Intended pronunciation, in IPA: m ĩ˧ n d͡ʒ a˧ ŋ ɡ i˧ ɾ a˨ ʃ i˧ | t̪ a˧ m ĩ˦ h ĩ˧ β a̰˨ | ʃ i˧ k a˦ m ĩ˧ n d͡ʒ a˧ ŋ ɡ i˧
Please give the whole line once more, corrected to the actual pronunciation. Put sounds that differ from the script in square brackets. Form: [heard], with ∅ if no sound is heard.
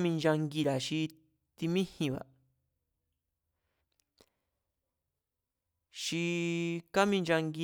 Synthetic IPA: m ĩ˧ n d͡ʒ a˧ ŋ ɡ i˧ ɾ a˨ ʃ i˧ | t̪ [i˧] m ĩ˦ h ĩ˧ β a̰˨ | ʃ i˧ k a˦ m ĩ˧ n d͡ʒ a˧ ŋ ɡ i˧